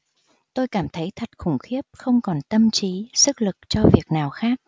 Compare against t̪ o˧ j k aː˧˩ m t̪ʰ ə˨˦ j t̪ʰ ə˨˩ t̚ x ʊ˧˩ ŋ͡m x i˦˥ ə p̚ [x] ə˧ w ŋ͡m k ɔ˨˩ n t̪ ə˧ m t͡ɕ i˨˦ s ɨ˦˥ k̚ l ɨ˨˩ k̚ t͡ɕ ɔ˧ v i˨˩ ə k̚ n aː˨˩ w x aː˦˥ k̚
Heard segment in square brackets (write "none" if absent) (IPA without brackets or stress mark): x